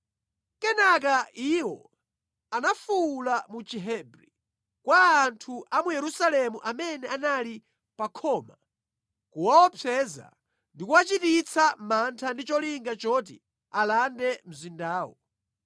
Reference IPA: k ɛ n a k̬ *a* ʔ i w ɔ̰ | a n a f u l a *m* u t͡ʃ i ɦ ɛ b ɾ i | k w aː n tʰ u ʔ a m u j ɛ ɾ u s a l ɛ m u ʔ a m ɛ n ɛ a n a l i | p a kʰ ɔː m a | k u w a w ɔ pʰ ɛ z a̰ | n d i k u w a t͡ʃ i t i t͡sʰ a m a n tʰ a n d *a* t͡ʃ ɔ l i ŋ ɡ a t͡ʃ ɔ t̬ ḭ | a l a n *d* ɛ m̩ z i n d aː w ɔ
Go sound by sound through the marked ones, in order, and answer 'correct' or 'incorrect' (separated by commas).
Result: correct, correct, incorrect, correct